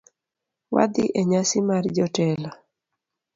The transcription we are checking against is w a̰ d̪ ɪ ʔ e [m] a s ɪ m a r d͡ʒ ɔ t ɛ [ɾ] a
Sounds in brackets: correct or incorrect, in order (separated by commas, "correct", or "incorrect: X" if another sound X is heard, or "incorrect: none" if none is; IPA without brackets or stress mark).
incorrect: ɲ, incorrect: l